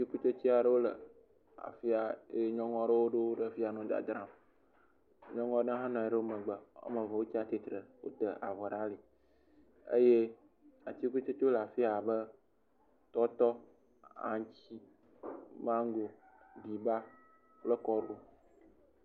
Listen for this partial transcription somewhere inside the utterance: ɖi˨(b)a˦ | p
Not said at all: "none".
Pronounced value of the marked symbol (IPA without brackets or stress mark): b